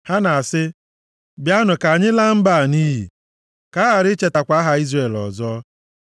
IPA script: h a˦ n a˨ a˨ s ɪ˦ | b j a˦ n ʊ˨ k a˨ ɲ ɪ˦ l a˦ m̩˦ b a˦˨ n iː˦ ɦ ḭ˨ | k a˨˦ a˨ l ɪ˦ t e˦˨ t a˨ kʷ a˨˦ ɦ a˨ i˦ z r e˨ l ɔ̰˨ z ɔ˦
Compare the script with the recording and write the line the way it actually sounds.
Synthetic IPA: h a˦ n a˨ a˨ s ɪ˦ | b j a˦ n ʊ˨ k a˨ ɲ ɪ˦ l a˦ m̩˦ b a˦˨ n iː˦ ɦ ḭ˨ | k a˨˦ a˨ ɾ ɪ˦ t͡ʃ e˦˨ t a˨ kʷ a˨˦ ɦ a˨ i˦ z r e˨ l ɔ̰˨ z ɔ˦